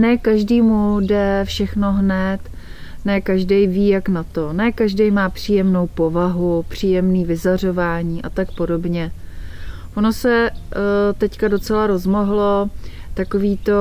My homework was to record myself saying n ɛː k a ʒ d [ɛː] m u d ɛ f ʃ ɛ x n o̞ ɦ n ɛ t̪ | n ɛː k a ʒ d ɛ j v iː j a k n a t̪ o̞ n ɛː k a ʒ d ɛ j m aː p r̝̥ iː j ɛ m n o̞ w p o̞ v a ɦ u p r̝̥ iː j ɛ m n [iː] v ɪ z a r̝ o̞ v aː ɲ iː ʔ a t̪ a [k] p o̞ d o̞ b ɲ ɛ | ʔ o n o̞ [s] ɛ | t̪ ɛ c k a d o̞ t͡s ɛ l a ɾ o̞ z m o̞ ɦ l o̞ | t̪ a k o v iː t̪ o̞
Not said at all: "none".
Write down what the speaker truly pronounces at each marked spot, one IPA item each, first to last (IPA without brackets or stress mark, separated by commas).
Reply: iː, iː, k, s